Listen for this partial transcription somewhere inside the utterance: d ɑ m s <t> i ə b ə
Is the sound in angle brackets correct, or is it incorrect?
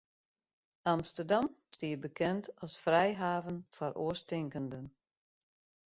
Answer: correct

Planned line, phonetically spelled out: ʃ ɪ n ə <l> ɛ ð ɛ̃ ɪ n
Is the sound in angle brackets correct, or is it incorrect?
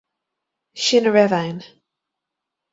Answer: incorrect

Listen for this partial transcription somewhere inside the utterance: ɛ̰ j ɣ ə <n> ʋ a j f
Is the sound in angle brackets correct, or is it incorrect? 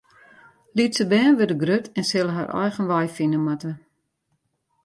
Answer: correct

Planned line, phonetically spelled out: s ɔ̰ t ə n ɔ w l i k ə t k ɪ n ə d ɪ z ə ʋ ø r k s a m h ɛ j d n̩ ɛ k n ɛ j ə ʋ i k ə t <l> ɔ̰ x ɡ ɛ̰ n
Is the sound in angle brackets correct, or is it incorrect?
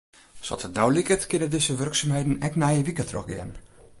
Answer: incorrect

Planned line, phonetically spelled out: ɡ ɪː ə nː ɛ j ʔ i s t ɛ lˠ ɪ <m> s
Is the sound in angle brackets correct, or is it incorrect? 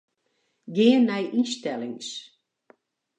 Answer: incorrect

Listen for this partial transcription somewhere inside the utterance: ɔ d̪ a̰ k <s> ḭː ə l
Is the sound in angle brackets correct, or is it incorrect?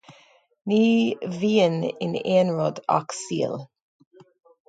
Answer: correct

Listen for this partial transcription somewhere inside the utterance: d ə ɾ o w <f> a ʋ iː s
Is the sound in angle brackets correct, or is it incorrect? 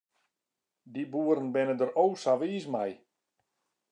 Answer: incorrect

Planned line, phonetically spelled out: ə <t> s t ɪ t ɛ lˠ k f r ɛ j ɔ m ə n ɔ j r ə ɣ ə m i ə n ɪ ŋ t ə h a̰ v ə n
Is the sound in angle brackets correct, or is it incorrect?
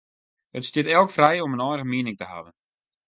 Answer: correct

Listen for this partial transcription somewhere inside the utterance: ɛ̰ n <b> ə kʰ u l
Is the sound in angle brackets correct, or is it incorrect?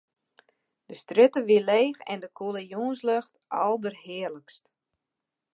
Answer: incorrect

